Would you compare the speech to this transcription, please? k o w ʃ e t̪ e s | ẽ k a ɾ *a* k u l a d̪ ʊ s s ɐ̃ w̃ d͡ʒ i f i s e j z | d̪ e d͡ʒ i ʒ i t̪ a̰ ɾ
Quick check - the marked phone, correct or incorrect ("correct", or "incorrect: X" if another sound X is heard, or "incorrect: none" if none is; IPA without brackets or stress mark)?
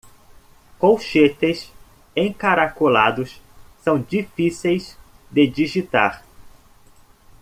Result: correct